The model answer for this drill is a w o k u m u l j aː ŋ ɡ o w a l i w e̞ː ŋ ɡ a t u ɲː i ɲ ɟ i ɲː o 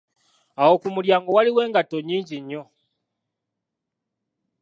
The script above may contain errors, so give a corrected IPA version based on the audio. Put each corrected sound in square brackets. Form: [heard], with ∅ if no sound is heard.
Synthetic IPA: a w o k u m u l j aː ŋ ɡ o w a l i w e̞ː ŋ ɡ a t [o] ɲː [iː] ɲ ɟ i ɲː o

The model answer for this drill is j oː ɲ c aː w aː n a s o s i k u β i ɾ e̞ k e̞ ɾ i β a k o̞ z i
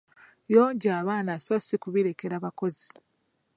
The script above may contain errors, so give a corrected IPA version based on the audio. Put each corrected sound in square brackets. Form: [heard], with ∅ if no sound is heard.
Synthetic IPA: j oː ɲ [ɟ] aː [β] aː n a s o s i k u β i ɾ e̞ k e̞ ɾ [a] β a k o̞ z i

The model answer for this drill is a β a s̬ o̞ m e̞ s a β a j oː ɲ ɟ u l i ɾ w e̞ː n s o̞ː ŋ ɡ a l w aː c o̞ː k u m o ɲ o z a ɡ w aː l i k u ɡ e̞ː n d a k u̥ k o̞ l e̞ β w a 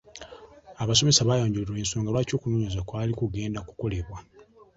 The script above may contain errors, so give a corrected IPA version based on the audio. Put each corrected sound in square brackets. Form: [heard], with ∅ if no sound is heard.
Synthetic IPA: a β a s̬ o̞ m e̞ s a β a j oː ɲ ɟ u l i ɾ w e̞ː n s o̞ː ŋ ɡ a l w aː c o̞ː k u [n] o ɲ o z a [k] w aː l i k u ɡ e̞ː n d a k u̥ k o̞ l e̞ β w a

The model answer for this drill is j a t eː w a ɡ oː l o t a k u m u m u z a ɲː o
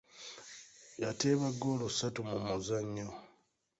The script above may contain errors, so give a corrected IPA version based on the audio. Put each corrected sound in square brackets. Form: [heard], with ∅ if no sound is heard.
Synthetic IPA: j a t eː [β] a ɡ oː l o [s] a [t] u m u m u z a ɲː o

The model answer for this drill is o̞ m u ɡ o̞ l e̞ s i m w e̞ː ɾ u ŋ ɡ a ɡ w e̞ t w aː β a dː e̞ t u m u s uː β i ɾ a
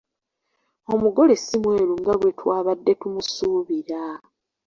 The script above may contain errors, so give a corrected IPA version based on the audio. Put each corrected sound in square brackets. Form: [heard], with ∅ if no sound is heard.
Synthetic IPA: o̞ m u ɡ o̞ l e̞ s i m w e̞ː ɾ u ŋ ɡ a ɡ w e̞ t w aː β a dː e̞ t u m u s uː β i ɾ a

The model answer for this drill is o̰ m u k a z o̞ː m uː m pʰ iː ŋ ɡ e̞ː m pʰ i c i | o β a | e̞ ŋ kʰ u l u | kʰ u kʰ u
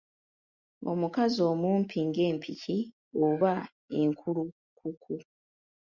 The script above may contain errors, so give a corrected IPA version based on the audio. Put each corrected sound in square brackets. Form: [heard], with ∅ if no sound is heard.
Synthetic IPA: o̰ m u k a z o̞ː m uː m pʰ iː ŋ ɡ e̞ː m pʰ i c i | o β a | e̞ ŋ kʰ u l u | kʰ u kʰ u

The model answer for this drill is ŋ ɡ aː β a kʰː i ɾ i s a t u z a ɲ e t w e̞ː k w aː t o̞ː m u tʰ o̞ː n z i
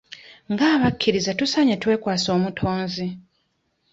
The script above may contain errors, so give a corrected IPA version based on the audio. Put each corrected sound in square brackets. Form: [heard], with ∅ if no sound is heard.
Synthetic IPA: ŋ ɡ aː β a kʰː i ɾ i [z] a t u [s] a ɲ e t w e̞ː k w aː [s] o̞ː m u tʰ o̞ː n z i

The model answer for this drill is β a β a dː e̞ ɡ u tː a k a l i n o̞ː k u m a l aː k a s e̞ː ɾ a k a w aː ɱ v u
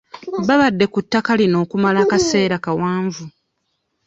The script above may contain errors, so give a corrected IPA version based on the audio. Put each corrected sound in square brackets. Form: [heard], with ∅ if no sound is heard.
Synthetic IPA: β a β a dː e̞ [k] u tː a k a l i n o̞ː k u m a l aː k a s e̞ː ɾ a k a w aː ɱ v u

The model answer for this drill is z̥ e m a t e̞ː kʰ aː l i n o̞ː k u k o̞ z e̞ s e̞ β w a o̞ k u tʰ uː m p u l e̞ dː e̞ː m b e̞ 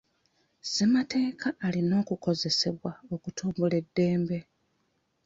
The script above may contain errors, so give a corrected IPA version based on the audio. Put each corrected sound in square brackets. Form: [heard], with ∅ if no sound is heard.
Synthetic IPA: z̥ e m a t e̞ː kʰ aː l i n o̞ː k u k o̞ z e̞ s e̞ β w a o̞ k u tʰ uː m [b] u l e̞ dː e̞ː m b e̞

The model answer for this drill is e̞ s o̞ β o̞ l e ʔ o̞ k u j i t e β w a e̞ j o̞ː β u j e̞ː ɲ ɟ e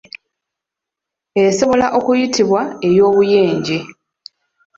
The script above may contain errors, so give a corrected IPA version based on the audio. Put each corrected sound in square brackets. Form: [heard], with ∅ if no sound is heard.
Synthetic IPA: e̞ s o̞ β o̞ l [a] ʔ o̞ k u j i t [i] β w a e̞ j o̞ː β u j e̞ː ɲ ɟ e

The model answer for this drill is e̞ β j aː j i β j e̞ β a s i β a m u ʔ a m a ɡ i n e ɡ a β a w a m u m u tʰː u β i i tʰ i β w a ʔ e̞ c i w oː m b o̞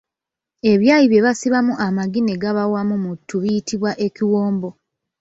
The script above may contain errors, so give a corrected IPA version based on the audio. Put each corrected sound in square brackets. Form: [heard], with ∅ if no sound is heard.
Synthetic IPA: e̞ β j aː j i β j e̞ β a s i β a m u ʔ a m a ɡ i n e ɡ a β a w a m u m u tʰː u β i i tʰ i β w a ʔ e̞ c i w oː m b o̞

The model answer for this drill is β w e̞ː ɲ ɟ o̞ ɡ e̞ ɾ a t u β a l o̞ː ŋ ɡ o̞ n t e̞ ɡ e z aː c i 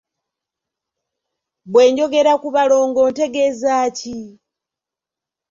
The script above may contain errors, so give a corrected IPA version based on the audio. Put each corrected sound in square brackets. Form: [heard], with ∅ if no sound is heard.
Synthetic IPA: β w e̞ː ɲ ɟ o̞ ɡ e̞ ɾ a [k] u β a l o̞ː ŋ ɡ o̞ n t e̞ ɡ e z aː c i

